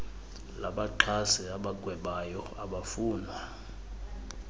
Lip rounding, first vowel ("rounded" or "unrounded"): unrounded